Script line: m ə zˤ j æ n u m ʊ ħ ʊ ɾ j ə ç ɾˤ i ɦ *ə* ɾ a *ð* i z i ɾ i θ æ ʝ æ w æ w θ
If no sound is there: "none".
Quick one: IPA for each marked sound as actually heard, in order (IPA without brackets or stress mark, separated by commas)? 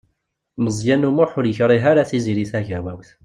a, θ